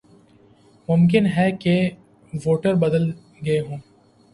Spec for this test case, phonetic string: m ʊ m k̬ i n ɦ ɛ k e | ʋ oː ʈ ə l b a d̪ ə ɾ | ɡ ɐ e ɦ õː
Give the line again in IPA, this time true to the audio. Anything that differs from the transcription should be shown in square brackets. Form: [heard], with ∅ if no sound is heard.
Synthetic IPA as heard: m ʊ m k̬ [ɪ] n ɦ ɛ k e | ʋ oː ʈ ə [ɾ] b [ɐ] d̪ ə [l] | ɡ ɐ e ɦ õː